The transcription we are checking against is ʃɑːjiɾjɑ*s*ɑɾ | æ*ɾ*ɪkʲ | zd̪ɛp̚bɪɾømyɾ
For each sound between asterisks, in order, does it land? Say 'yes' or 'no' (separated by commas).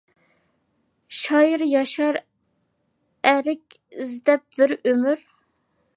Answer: no, yes